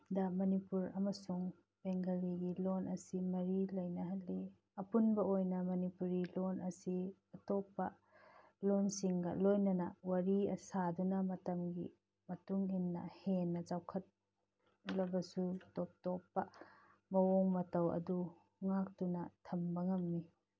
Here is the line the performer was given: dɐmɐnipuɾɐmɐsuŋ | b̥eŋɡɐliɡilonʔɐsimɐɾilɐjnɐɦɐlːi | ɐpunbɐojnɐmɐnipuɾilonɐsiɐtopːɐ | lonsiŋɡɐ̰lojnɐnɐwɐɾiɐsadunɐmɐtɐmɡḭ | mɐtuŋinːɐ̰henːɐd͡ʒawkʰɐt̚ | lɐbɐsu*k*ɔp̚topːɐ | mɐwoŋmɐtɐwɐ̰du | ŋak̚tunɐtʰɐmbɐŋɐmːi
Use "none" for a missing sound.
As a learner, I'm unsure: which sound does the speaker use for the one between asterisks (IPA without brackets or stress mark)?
t